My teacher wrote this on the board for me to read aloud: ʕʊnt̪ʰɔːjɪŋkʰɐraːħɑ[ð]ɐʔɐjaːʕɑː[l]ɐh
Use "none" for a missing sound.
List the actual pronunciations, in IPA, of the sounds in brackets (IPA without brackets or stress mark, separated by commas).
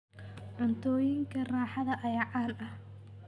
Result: ð, l